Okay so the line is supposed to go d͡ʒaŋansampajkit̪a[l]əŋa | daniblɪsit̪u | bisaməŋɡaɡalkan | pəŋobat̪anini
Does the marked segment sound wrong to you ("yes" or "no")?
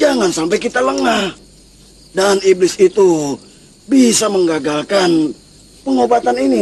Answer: no